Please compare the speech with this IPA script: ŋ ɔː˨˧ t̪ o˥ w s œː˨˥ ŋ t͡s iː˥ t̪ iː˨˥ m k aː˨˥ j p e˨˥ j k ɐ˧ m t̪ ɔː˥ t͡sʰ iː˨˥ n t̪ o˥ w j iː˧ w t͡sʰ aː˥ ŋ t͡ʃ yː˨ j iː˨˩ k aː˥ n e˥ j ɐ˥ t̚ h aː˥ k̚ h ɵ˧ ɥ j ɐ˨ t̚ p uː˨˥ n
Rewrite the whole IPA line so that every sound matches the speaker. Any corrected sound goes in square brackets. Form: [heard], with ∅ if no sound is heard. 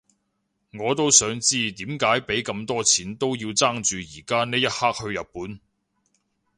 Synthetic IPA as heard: ŋ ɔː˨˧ t̪ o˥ w s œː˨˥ ŋ t͡s iː˥ t̪ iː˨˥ m k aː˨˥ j p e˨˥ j k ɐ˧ m t̪ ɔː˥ t͡sʰ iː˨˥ n t̪ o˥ w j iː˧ w [t͡s] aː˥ ŋ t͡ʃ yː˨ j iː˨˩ k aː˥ n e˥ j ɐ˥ t̚ h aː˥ k̚ h ɵ˧ ɥ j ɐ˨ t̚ p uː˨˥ n